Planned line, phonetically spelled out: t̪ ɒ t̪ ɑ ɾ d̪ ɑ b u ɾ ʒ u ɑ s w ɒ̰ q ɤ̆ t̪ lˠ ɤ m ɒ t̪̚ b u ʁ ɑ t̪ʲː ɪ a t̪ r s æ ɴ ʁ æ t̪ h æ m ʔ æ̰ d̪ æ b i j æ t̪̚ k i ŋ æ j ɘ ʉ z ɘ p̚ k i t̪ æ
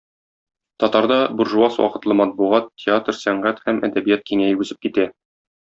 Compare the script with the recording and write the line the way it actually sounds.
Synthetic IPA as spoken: t̪ ɒ t̪ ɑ ɾ d̪ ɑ b u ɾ ʒ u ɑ s w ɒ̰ q ɤ̆ t̪ lˠ ɤ m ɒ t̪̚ b u ʁ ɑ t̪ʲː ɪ a t̪ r s æ ɴ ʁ æ t̪ h æ m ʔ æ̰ d̪ æ b i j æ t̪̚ k i ŋ æ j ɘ ʉ z ɘ p̚ k i t̪ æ